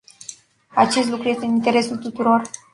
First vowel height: low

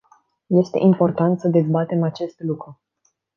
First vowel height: mid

